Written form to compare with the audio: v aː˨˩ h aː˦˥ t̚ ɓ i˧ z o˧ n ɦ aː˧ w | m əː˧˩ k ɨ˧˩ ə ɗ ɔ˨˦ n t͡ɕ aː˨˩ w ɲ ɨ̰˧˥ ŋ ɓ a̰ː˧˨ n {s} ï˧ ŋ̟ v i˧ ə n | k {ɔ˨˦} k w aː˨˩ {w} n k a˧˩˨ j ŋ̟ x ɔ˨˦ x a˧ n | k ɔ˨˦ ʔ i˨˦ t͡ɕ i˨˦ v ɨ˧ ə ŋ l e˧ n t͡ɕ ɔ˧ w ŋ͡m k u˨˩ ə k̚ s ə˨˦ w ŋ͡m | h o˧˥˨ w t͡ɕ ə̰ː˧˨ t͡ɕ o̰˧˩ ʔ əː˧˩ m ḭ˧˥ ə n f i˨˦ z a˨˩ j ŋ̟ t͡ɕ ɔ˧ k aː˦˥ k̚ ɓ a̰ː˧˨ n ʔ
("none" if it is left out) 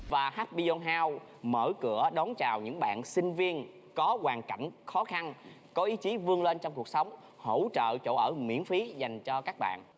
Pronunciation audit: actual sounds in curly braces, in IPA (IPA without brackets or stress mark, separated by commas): s, ɔ˨˦, none